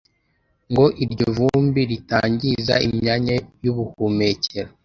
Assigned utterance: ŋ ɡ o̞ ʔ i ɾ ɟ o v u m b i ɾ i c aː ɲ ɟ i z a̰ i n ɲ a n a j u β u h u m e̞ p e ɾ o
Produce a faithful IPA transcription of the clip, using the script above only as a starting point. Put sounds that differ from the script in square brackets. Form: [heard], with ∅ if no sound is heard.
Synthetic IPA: ŋ ɡ o̞ ʔ i ɾ ɟ o v u m b i ɾ i [t] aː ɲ ɟ i z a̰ i [m] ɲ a [ɲ] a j u β u h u m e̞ [c] e ɾ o